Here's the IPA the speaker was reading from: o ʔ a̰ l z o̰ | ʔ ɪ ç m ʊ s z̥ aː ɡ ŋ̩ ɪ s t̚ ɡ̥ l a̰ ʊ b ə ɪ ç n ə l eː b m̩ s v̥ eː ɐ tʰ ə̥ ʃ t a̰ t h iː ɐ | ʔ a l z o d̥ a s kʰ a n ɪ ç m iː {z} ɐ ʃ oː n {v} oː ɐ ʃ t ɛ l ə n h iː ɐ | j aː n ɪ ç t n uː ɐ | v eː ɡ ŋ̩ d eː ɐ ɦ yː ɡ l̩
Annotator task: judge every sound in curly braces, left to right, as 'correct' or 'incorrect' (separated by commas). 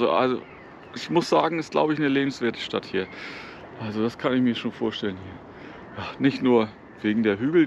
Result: incorrect, incorrect